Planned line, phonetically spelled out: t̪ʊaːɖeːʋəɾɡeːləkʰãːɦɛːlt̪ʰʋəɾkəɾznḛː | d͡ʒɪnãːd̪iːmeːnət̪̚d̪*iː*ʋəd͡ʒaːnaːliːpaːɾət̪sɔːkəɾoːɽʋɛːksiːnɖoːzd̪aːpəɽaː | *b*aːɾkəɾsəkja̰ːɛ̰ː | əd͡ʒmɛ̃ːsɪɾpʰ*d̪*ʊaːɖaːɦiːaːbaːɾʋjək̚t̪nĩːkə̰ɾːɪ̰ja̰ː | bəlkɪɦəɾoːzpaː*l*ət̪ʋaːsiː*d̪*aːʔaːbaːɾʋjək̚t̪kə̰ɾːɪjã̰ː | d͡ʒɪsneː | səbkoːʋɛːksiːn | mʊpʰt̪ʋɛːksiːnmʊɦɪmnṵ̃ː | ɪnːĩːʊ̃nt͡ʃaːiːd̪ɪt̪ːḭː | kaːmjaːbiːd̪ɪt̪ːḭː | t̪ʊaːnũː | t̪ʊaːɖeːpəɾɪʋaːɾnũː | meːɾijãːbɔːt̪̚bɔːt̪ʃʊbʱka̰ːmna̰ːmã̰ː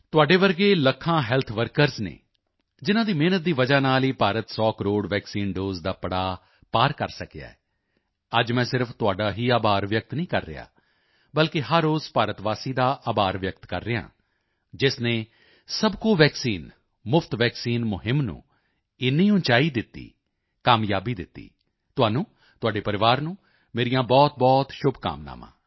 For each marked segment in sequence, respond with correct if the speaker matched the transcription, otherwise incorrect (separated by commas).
correct, incorrect, incorrect, incorrect, correct